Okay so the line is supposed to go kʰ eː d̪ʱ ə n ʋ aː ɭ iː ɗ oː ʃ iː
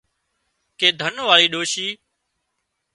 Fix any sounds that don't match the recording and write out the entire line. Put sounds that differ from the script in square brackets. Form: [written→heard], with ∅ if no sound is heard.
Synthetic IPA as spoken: [kʰ→k] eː d̪ʱ ə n ʋ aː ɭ iː ɗ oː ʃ iː